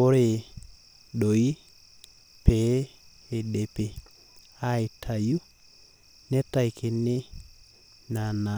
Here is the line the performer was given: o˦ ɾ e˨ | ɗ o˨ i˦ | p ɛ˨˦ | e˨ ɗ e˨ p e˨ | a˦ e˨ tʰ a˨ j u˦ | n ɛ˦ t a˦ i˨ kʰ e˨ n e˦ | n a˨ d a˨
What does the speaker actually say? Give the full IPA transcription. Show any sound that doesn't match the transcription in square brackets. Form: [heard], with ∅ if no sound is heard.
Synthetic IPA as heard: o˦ ɾ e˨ | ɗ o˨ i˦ | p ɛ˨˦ | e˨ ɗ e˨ p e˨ | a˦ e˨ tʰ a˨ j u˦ | n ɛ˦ t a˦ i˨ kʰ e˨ n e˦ | n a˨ [n] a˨